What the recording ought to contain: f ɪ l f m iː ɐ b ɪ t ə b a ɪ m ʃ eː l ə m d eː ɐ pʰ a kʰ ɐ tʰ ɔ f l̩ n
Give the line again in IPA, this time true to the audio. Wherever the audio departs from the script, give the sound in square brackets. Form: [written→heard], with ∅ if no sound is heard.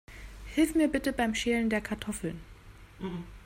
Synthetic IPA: [f→h] ɪ l f m iː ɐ b ɪ t ə b a ɪ m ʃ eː l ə [m→n] d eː ɐ [pʰ→kʰ] a [kʰ→∅] ɐ tʰ ɔ f l̩ n